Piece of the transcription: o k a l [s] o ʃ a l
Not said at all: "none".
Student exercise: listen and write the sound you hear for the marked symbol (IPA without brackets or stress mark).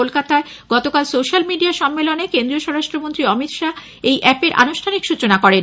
s